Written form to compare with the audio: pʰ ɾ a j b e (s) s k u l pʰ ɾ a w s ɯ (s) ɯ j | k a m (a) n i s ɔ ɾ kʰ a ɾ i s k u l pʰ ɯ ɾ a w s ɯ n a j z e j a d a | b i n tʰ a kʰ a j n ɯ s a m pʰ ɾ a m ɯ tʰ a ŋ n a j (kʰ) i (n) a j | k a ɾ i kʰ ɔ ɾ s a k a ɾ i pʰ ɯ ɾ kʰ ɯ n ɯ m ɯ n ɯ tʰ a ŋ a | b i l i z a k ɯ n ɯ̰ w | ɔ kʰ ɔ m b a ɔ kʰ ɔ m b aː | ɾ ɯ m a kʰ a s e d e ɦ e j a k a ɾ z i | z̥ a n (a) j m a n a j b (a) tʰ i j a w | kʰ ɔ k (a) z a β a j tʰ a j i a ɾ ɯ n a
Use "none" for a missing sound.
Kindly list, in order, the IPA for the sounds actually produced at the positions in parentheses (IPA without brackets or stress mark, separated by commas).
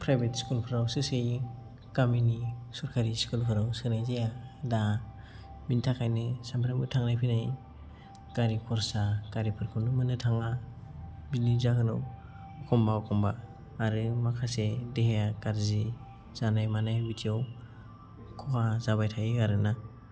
t, s, i, pʰ, n, a, i, a